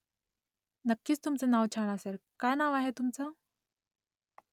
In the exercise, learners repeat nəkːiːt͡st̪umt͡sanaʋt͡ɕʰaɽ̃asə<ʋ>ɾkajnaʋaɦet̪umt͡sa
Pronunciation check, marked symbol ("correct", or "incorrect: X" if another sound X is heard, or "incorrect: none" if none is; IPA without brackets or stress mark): incorrect: none